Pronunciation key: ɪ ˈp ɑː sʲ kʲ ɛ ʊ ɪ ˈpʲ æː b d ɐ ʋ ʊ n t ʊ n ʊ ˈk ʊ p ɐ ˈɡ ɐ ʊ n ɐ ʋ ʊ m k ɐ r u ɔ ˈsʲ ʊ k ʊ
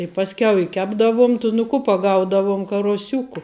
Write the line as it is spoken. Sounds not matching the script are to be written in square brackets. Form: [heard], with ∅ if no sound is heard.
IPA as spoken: ɪ ˈp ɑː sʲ kʲ ɛ ʊ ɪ [ˈkʲ] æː b d ɐ ʋ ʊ [m] t ʊ n ʊ ˈk ʊ p ɐ ˈɡ ɐ ʊ [d] ɐ ʋ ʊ m k ɐ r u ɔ ˈsʲ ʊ k ʊ